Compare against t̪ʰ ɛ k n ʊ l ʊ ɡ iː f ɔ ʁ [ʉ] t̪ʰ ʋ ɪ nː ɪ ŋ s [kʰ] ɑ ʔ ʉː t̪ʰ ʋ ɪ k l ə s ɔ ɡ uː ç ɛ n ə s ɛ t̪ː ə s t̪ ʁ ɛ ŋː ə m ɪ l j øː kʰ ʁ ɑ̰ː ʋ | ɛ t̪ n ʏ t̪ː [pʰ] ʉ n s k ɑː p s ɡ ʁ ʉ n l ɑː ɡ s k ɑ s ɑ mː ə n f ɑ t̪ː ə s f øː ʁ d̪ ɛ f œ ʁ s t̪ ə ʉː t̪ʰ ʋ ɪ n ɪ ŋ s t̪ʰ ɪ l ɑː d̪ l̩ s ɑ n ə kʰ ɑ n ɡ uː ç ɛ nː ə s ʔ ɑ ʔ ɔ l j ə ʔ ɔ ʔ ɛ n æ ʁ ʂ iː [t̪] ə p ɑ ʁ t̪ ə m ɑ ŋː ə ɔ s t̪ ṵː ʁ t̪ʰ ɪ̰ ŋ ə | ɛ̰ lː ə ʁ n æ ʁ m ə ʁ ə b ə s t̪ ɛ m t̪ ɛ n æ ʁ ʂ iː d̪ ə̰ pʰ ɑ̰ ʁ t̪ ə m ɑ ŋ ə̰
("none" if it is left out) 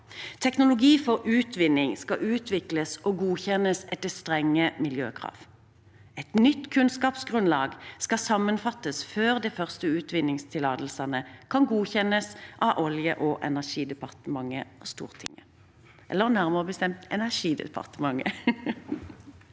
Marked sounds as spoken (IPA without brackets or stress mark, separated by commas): ʉː, k, kʰ, d̪